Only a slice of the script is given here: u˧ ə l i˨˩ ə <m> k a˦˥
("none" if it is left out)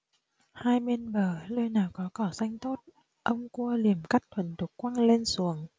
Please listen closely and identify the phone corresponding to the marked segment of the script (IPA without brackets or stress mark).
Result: m